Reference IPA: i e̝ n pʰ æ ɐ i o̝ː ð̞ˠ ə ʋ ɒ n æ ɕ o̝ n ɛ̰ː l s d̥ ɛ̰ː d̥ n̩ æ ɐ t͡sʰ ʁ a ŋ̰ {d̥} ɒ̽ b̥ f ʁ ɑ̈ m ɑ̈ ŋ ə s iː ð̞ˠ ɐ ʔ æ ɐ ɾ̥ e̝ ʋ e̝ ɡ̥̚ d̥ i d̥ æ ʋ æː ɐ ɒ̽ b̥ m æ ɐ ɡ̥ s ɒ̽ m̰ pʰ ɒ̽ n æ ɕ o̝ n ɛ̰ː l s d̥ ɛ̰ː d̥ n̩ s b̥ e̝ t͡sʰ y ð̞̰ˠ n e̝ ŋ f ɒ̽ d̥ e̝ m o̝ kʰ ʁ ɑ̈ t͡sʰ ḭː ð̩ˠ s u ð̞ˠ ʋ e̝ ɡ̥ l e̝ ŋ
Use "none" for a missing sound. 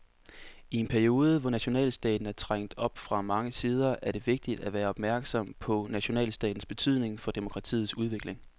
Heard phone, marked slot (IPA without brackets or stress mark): d̥